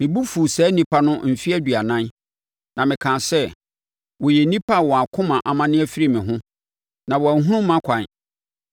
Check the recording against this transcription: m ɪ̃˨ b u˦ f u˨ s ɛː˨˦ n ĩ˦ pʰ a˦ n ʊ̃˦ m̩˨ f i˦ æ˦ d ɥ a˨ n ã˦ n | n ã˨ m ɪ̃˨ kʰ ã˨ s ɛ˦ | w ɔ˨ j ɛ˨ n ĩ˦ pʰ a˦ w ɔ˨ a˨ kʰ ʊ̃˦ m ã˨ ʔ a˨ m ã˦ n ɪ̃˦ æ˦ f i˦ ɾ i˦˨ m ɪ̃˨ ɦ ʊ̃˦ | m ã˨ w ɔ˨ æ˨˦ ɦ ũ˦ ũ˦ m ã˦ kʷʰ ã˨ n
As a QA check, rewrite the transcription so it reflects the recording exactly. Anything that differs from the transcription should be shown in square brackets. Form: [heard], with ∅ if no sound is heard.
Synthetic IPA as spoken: m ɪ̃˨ b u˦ f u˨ s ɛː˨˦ n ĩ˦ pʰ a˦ n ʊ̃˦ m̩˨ f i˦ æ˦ d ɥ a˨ n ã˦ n | n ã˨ m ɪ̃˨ kʰ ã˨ s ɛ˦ | w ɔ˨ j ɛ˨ n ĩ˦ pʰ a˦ w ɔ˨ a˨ kʰ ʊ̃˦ m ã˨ ʔ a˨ m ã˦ n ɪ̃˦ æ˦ f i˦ ɾ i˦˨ m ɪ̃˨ ɦ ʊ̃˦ | [n] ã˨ w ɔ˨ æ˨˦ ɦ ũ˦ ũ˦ m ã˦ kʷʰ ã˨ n

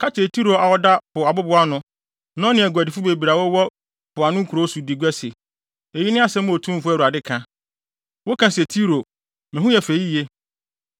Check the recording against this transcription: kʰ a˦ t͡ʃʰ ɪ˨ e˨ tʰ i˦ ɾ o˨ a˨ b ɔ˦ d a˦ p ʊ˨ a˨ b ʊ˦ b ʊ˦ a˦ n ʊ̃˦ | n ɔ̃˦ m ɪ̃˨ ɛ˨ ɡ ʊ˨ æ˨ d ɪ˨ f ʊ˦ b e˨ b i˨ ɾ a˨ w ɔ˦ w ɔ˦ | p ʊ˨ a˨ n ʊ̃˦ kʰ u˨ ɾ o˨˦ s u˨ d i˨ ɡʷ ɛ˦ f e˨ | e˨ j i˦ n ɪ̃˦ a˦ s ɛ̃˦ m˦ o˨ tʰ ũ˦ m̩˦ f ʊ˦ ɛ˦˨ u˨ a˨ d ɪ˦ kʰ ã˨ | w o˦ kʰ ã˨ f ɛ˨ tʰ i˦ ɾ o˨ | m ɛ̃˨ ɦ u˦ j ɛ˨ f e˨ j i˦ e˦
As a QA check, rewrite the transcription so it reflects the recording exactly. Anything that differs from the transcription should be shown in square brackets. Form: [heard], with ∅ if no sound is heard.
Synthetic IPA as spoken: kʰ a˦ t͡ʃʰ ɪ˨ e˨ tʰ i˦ ɾ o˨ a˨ [w] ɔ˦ d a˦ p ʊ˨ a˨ b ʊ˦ b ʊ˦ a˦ n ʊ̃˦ | n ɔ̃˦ [n] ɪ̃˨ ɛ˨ ɡ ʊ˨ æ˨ d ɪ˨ f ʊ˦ b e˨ b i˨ ɾ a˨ w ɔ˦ w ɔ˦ | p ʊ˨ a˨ n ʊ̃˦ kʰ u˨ ɾ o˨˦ s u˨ d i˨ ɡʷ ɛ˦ [s] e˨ | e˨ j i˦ n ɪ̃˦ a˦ s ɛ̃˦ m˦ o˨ tʰ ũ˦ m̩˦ f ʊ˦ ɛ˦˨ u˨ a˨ d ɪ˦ kʰ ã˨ | w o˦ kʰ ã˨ [s] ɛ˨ tʰ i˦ ɾ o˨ | m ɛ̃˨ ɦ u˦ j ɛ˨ f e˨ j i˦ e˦

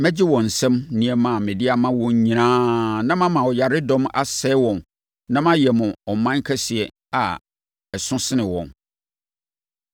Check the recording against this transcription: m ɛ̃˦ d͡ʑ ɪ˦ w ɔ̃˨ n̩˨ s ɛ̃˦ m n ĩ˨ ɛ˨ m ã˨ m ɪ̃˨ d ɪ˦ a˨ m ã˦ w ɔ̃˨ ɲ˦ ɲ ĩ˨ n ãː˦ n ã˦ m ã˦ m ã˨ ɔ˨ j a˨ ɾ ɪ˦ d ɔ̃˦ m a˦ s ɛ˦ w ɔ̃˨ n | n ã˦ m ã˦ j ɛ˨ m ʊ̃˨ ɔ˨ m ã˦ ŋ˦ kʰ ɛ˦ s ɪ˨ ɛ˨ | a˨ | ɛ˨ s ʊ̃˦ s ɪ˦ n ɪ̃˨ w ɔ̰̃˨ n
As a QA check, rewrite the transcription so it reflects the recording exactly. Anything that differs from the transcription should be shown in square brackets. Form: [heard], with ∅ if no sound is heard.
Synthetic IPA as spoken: m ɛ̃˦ d͡ʑ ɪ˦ w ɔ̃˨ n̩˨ s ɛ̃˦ m n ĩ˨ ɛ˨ m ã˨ m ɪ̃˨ d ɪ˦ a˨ m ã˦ w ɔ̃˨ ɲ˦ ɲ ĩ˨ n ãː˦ n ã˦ m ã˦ m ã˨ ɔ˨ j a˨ ɾ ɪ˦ d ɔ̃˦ m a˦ s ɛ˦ w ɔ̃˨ n | n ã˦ m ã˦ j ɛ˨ m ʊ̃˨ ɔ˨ m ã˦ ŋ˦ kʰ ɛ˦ s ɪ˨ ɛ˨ | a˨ | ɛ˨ s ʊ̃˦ s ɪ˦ n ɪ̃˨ w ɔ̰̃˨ n

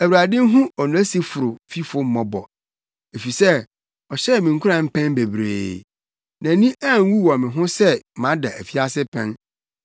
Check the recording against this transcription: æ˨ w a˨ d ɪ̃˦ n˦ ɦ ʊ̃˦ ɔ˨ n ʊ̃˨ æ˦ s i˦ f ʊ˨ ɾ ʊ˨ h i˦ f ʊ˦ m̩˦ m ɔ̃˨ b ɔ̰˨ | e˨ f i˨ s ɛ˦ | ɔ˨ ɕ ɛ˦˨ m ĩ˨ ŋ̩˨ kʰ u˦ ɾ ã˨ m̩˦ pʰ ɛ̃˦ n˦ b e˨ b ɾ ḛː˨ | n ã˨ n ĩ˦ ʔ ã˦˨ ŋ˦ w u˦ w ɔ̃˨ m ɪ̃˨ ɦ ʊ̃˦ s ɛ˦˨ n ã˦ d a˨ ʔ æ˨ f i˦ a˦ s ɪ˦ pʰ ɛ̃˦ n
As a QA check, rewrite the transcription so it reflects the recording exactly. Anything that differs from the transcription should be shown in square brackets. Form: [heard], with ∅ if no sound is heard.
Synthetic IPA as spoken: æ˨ w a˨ d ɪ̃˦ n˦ ɦ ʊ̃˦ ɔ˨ n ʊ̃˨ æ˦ s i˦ f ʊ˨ ɾ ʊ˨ [f] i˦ f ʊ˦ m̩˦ m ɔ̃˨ b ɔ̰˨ | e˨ f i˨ s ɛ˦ | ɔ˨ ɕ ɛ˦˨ m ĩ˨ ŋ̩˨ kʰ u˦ ɾ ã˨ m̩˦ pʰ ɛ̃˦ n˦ b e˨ b ɾ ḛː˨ | n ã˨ n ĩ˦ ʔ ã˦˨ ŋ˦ w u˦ w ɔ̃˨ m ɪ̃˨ ɦ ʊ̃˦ s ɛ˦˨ [m] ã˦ d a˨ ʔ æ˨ f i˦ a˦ s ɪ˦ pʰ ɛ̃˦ n

